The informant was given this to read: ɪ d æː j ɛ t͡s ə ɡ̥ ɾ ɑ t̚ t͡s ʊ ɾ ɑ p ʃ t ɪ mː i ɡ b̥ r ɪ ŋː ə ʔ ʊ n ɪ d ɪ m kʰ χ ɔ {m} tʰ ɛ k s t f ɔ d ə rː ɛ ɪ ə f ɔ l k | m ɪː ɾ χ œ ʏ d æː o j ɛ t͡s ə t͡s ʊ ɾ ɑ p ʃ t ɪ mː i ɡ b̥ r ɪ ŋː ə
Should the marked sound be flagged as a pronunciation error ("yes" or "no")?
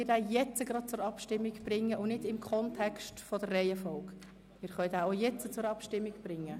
yes